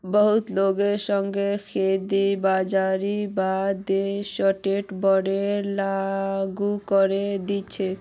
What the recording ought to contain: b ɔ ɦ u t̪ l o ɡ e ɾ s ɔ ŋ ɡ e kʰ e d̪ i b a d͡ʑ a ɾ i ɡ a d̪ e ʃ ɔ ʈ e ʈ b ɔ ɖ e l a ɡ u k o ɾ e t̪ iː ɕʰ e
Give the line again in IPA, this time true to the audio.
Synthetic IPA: b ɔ ɦ u t̪ l o ɡ e ɾ ʃ ɔ ŋ ɡ e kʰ e d̪ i b a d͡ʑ a ɾ i b a d̪ e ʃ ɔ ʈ e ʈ b ɔ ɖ e l a ɡ u k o ɾ e d̪ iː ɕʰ e